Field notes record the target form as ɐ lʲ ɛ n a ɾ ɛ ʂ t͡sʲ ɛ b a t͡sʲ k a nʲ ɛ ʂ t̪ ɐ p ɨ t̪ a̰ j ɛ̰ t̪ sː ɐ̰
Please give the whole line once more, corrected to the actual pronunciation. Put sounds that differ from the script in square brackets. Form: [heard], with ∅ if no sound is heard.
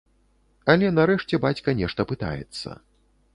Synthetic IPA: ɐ lʲ ɛ n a ɾ ɛ ʂ t͡sʲ ɛ b a t͡sʲ k [ɐ] nʲ ɛ ʂ t̪ ɐ p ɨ t̪ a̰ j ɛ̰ t̪ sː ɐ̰